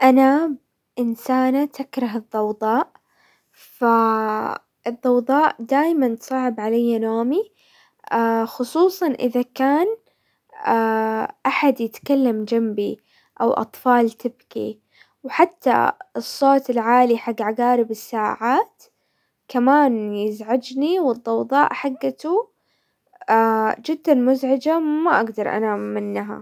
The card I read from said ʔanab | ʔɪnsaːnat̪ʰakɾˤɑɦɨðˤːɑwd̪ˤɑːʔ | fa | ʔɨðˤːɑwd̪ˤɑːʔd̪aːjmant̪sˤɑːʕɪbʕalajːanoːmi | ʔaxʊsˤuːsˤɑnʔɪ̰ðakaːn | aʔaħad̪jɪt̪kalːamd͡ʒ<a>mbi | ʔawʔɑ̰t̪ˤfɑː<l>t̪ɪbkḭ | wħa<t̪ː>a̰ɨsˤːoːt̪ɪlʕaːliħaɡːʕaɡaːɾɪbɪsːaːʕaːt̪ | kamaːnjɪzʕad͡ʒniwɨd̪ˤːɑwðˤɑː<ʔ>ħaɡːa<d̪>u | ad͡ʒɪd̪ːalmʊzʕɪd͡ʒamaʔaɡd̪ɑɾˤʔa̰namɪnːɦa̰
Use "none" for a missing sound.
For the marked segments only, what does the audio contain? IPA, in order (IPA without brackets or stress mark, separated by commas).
a, l, t̪ː, ʔ, t̪